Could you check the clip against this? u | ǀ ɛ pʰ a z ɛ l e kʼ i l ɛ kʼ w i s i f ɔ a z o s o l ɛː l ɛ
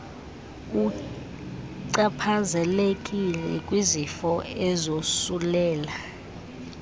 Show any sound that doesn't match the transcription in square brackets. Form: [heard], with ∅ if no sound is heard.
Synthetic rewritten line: u | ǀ [a] pʰ a z ɛ l e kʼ i l ɛ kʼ w i [z] i f ɔ [ɛ] z o s [u] l ɛː l [a]